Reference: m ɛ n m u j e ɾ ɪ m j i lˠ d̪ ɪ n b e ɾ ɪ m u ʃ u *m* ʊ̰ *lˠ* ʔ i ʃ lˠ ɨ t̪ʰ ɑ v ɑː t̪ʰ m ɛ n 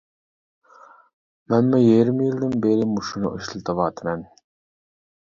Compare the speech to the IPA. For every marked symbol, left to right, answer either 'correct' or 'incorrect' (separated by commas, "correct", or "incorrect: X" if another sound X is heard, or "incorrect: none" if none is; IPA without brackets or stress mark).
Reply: incorrect: n, incorrect: none